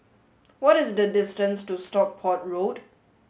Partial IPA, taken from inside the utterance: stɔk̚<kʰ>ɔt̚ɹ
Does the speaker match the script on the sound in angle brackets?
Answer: no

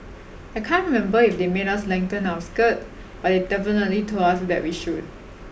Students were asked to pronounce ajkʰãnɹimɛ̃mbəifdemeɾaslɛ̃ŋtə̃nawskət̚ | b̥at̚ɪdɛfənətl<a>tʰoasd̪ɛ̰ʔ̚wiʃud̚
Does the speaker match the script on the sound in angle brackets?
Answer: no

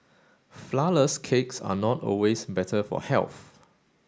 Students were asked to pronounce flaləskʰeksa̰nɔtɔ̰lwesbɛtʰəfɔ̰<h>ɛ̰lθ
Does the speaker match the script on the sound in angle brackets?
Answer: yes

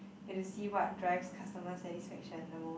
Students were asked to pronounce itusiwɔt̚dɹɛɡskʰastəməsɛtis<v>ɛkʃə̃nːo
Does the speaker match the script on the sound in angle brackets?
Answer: no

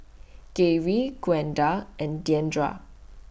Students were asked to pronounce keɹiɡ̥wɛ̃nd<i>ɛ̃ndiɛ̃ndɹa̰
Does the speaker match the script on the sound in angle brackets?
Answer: no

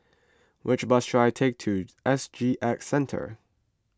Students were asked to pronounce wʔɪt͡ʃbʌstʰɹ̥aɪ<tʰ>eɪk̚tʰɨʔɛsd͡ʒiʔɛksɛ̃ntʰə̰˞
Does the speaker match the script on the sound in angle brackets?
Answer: yes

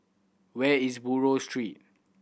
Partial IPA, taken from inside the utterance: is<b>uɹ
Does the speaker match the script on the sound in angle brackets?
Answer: yes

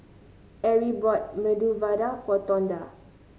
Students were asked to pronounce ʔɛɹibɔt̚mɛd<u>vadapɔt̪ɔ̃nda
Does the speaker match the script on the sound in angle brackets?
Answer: yes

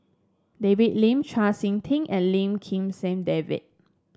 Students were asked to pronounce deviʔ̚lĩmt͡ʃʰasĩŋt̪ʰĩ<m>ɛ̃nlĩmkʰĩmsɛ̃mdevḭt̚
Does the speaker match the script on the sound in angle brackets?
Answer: no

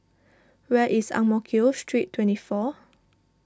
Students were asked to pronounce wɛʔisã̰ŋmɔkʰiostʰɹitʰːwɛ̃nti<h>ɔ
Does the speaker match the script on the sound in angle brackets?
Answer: no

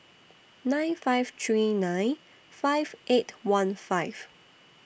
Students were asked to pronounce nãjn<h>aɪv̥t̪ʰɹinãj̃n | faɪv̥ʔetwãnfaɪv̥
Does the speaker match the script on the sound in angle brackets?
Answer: no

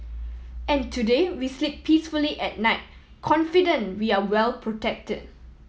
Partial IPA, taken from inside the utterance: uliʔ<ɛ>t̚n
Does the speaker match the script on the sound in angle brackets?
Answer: yes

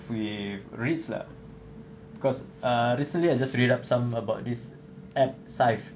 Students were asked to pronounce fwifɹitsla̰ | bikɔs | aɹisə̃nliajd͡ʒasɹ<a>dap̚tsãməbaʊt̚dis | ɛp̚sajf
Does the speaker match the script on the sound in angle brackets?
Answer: no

